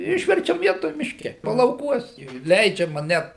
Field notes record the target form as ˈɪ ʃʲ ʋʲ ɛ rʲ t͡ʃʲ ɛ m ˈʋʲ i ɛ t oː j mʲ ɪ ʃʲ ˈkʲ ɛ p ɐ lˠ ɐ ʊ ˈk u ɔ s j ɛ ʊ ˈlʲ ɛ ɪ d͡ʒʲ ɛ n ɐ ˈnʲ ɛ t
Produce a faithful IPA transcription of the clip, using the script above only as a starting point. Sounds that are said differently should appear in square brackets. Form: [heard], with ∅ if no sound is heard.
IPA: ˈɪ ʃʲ ʋʲ ɛ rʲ t͡ʃʲ ɛ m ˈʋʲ i ɛ t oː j mʲ ɪ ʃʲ ˈkʲ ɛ p ɐ lˠ ɐ ʊ ˈk u ɔ s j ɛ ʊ ˈlʲ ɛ ɪ d͡ʒʲ ɛ [m] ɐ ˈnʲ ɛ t

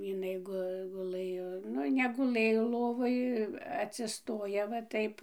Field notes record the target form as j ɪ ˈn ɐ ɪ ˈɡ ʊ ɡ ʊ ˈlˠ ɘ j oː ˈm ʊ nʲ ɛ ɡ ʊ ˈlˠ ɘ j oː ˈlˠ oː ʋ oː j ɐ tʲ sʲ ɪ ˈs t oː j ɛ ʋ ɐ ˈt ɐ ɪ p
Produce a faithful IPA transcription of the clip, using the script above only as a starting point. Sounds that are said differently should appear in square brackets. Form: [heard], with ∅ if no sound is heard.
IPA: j ɪ ˈn ɐ ɪ ˈɡ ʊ ɡ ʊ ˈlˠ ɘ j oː [ˈn] ʊ nʲ ɛ ɡ ʊ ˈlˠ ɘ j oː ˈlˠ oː ʋ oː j ɐ tʲ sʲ ɪ ˈs t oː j ɛ ʋ ɐ ˈt ɐ ɪ p

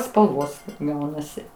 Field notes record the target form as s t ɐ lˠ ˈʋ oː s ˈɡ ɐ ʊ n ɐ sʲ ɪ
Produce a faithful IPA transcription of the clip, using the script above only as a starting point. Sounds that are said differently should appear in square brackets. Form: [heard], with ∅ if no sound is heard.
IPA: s [p] ɐ lˠ ˈʋ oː s ˈɡ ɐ ʊ n ɐ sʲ ɪ

